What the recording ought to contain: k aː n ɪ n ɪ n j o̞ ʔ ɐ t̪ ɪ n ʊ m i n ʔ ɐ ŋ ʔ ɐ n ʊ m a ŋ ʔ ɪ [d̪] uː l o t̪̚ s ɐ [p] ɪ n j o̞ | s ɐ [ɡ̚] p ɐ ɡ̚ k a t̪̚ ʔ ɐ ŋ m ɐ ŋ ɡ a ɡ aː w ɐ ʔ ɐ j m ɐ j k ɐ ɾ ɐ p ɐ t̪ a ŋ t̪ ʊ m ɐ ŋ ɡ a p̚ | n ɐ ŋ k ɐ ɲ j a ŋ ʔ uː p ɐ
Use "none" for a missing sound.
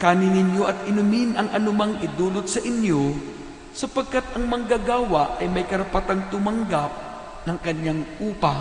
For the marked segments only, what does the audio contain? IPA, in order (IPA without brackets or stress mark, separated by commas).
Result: d̪, ʔ, none